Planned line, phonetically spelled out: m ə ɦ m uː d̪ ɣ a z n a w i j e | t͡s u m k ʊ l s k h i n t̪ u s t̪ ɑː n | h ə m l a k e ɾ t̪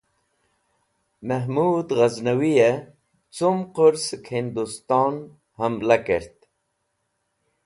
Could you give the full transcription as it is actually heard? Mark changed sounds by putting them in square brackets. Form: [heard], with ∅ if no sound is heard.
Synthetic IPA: m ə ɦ m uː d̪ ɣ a z n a w i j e | t͡s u m [q] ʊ [ɾ] s k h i n [d̪] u s t̪ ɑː n | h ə m l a k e ɾ t̪